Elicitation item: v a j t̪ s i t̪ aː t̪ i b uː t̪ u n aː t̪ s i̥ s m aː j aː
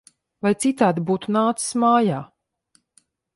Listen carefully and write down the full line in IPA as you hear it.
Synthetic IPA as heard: v a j t̪ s i t̪ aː d̪ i b uː t̪ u n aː t̪ s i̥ s m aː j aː